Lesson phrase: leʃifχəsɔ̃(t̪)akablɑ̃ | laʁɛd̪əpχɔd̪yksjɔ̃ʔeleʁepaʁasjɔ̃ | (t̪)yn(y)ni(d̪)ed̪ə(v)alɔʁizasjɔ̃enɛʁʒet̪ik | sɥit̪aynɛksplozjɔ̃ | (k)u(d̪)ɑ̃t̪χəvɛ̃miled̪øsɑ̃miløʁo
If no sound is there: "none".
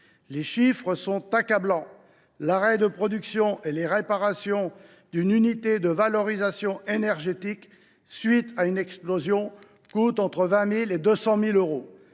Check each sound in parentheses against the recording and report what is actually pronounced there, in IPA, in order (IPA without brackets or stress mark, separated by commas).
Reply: t̪, d̪, y, t̪, v, k, t̪